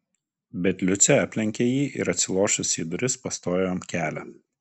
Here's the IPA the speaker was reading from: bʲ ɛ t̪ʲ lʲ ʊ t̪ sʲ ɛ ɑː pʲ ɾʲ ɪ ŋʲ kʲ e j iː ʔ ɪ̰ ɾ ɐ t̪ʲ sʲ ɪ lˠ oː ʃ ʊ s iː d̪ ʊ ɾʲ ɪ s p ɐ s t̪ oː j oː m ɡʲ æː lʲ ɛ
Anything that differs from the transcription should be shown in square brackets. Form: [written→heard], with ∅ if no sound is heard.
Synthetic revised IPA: bʲ ɛ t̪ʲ lʲ ʊ t̪ sʲ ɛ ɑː pʲ [ɾʲ→lʲ] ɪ ŋʲ kʲ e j iː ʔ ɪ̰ ɾ ɐ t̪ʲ sʲ ɪ lˠ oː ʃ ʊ s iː d̪ ʊ ɾʲ ɪ s p ɐ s t̪ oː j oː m [ɡʲ→kʲ] æː lʲ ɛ